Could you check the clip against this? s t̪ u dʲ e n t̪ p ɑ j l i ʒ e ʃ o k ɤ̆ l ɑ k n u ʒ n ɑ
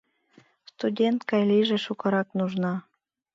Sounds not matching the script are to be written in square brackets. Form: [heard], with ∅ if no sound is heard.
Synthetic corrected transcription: s t̪ u dʲ e n t̪ [k] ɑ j l i ʒ e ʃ [u] k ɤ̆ [ɾ] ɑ k n u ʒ n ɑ

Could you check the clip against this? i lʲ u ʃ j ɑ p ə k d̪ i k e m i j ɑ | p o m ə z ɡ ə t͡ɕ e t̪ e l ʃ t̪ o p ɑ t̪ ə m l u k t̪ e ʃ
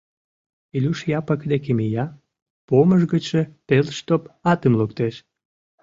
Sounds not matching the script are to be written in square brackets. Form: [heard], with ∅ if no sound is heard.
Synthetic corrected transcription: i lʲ u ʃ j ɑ p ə k d̪ [e] k e m i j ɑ | p o m ə [ʒ] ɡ ə t͡ɕ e t̪ e l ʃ t̪ o p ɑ t̪ ə m l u k t̪ e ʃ

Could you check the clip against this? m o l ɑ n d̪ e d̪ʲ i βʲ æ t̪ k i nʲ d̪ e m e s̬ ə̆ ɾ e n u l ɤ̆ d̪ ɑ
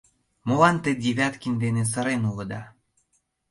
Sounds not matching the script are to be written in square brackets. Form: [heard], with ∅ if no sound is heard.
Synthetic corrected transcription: m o l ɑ n [t̪] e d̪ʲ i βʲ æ t̪ k i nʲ d̪ e [n] e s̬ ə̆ ɾ e n u l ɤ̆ d̪ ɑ

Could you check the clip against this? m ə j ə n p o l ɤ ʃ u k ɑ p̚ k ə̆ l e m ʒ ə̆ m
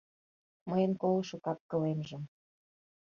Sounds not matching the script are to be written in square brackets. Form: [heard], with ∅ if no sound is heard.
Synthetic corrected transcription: m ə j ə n [k] o l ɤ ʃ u k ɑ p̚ k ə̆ l e m ʒ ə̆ m

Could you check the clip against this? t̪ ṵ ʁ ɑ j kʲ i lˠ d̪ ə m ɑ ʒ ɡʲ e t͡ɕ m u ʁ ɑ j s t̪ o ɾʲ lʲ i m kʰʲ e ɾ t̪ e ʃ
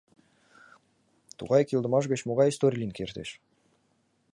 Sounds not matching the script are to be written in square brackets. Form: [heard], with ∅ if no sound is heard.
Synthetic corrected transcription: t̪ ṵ ʁ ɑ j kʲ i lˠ d̪ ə m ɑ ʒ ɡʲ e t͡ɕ m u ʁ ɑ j s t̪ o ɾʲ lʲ i [n] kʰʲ e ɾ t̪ e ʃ

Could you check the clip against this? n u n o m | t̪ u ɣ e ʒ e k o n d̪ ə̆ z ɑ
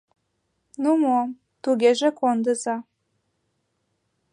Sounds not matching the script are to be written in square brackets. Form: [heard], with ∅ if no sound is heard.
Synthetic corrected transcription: n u [m] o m | t̪ u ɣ e ʒ e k o n d̪ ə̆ z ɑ

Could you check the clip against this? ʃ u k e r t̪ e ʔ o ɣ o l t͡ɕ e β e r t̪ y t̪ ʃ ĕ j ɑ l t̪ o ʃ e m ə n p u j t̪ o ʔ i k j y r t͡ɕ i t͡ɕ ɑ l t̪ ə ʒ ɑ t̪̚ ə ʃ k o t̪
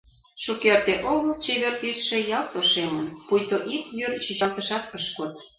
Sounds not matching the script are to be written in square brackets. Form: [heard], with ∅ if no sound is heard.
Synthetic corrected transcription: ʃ u k e r t̪ e ʔ o ɣ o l t͡ɕ e β e r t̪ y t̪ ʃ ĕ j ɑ l t̪ o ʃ e m ə n p u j t̪ o ʔ i k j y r t͡ɕ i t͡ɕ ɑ l t̪ ə [ʃ] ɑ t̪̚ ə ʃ k o t̪

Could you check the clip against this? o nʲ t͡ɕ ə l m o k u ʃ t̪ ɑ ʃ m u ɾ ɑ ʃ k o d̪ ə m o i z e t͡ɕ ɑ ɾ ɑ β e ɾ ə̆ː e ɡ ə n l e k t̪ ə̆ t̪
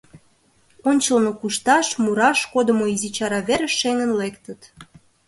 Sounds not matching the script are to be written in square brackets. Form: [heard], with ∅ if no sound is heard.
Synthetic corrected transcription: o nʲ t͡ɕ ə l [n] o k u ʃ t̪ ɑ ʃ m u ɾ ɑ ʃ k o d̪ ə m o i z [i] t͡ɕ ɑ ɾ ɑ β e ɾ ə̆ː e [ŋ] ə n l e k t̪ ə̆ t̪

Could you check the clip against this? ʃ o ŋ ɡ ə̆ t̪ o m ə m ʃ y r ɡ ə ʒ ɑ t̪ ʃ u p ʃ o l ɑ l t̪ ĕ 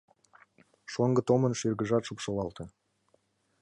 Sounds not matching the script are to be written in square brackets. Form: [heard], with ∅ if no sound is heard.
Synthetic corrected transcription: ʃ o ŋ ɡ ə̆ t̪ o m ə [n] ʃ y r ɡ ə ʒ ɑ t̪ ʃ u p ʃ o l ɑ l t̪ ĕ

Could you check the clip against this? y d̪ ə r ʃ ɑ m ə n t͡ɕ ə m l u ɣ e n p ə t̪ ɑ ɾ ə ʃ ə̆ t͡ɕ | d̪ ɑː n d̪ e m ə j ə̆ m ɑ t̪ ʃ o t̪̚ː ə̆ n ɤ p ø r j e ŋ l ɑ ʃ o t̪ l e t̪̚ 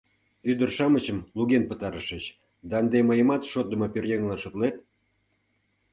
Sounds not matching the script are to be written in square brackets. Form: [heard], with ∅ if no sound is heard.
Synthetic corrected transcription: y d̪ ə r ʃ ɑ m ə [∅] t͡ɕ ə m l u ɣ e n p ə t̪ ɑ ɾ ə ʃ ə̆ t͡ɕ | d̪ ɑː n d̪ e m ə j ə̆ m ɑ t̪ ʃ o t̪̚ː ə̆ [m] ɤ p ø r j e ŋ l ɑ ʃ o t̪ l e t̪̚

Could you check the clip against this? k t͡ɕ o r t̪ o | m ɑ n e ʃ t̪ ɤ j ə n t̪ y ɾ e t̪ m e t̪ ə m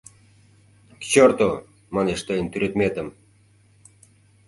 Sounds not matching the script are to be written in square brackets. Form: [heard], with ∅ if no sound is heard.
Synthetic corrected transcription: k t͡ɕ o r t̪ o | m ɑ n e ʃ t̪ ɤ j ə n t̪ y ɾ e t̪ m e t̪ ə m

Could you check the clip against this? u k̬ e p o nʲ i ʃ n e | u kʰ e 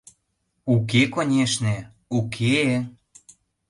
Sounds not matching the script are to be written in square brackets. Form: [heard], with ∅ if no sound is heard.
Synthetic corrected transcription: u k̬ e [k] o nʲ [e] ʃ n e | u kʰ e

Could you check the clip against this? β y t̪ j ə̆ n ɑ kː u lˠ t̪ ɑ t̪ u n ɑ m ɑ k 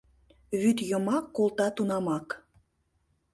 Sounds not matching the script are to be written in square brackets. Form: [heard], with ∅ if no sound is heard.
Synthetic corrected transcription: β y t̪ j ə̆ [m] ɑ kː [o] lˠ t̪ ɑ t̪ u n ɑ m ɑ k

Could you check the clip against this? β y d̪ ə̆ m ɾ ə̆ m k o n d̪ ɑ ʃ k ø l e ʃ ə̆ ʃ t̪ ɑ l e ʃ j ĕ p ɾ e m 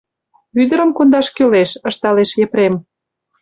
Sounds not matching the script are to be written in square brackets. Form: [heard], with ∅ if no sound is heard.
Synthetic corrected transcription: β y d̪ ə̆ [∅] ɾ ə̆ m k o n d̪ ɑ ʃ k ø l e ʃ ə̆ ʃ t̪ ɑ l e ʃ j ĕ p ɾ e m

